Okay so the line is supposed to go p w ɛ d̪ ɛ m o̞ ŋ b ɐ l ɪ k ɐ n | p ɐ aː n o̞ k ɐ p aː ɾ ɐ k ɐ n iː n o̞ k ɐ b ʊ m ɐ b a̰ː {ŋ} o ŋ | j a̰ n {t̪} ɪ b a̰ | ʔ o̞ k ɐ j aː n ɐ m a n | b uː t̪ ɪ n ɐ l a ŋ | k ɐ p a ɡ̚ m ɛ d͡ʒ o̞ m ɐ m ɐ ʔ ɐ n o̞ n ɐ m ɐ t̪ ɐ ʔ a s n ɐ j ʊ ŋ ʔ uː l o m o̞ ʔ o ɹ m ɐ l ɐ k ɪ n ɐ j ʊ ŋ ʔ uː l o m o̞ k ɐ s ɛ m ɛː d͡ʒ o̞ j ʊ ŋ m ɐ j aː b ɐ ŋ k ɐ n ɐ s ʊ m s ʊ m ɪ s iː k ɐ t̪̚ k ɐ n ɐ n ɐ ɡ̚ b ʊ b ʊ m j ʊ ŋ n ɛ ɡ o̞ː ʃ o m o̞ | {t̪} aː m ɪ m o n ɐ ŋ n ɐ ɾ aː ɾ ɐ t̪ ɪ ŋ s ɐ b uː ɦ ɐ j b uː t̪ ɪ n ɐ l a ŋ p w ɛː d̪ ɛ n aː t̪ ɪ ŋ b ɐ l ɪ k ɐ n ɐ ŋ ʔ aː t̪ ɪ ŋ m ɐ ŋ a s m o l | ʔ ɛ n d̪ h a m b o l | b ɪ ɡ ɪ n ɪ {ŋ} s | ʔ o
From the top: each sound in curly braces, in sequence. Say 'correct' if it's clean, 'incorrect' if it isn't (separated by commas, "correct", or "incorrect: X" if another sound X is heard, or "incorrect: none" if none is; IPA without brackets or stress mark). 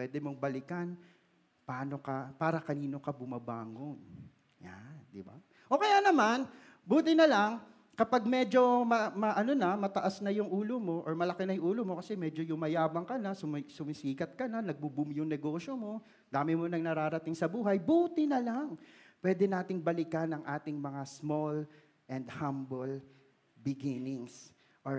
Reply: correct, incorrect: d̪, incorrect: d̪, correct